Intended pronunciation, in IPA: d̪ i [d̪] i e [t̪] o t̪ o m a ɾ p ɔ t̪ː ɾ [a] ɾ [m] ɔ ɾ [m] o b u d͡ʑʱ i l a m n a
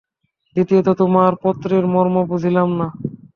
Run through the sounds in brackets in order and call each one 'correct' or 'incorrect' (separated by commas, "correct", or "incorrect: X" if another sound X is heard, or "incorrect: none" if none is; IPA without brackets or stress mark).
incorrect: t̪, correct, incorrect: e, correct, correct